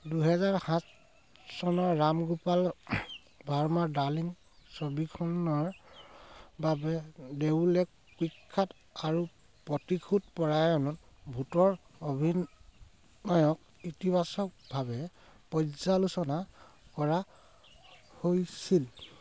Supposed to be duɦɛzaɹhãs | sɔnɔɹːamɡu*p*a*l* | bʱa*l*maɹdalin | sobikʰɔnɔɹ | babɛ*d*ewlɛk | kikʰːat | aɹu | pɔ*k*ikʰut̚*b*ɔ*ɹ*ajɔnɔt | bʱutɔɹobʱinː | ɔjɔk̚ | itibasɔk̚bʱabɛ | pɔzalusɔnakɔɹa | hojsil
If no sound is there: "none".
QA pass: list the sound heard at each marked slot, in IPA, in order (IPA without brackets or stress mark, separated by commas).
p, l, ɹ, d, t, p, ɹ